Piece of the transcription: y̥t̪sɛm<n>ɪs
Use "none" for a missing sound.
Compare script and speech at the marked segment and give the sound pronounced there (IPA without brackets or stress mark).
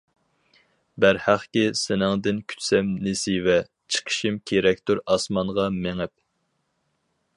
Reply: n